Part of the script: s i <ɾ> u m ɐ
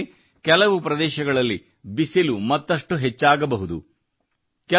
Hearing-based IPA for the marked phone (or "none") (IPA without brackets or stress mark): l